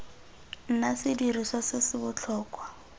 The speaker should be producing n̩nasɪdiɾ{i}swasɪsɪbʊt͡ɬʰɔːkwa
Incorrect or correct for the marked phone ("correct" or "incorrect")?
correct